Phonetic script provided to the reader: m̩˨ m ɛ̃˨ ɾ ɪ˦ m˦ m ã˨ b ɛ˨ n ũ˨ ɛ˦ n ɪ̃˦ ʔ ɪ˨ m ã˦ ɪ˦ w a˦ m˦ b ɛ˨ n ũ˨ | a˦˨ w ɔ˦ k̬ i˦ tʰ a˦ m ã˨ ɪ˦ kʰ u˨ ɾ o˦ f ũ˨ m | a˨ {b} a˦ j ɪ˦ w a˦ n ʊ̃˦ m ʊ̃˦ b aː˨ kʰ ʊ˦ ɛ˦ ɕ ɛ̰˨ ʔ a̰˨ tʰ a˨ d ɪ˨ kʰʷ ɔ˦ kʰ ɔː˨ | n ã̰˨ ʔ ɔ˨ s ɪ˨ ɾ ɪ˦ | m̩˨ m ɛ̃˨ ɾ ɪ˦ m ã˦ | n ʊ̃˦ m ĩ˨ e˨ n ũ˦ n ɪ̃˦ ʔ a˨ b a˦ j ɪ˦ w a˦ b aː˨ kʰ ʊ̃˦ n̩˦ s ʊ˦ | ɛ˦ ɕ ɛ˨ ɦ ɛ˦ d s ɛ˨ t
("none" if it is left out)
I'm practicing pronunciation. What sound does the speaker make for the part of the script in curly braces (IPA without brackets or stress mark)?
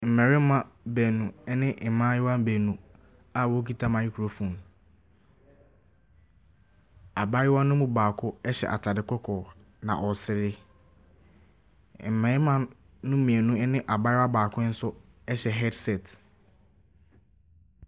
b